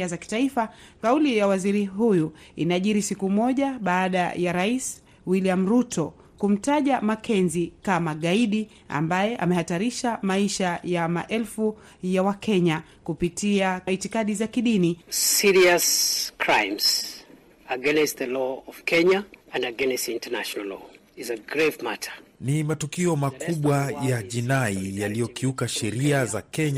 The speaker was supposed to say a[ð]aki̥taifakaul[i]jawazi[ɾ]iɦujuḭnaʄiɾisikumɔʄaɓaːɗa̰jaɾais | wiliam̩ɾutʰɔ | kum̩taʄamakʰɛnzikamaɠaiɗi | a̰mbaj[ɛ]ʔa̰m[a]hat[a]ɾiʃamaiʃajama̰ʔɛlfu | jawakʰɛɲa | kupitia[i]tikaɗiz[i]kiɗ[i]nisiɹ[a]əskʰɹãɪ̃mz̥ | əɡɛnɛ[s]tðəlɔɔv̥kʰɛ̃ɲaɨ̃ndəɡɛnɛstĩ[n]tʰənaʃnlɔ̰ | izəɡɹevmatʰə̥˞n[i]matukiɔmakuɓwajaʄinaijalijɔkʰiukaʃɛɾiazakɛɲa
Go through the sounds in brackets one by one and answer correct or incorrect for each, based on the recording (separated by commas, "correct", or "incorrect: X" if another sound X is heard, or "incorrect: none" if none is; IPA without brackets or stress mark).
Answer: incorrect: z, correct, correct, correct, incorrect: ɛ, correct, correct, incorrect: a, correct, incorrect: i, correct, correct, correct